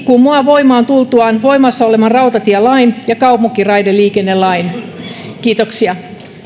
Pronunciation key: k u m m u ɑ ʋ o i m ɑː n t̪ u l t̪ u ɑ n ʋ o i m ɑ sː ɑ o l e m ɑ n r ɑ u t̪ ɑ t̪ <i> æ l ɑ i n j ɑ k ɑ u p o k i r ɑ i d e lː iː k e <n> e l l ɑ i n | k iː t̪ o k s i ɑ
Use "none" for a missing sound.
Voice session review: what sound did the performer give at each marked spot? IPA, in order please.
i, nː

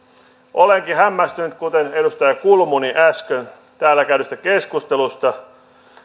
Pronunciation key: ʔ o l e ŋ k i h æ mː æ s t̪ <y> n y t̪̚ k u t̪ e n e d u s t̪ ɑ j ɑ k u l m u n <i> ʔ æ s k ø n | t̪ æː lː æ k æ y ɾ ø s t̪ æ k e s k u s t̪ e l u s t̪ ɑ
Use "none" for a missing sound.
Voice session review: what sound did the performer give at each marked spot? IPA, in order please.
y, i

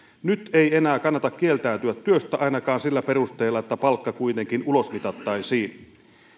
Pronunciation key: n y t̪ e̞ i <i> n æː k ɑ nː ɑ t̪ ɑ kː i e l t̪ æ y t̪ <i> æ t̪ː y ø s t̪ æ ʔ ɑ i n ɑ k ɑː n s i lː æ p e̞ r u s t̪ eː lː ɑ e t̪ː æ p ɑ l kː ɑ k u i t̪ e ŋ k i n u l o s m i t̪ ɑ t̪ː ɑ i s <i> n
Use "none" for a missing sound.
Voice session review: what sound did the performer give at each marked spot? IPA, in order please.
e, y, iː

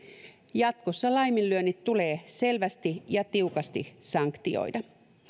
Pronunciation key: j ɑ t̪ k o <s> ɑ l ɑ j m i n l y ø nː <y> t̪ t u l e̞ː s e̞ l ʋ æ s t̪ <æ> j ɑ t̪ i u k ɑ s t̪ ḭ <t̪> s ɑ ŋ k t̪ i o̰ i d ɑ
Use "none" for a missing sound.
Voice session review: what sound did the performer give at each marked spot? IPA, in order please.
sː, i, i, none

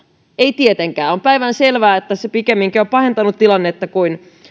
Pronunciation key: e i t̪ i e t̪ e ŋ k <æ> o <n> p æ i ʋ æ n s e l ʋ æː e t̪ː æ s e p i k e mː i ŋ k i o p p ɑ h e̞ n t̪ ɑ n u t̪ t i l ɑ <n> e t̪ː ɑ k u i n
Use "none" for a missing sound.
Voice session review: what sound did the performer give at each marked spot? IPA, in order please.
æː, m, nː

